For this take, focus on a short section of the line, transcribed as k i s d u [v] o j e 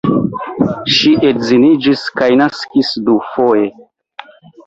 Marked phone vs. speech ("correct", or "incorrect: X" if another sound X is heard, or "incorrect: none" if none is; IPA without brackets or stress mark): incorrect: f